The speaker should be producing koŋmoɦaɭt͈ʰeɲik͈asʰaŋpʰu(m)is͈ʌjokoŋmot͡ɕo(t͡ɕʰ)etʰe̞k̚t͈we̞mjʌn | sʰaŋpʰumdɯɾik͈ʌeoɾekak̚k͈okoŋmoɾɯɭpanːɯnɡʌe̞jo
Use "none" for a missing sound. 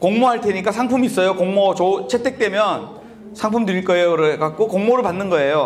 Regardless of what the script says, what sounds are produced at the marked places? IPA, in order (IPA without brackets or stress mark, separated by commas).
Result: m, t͡ɕʰ